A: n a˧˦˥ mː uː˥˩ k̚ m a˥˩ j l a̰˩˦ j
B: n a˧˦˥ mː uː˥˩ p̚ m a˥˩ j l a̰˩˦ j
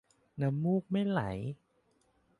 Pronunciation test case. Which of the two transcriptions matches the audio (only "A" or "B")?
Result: A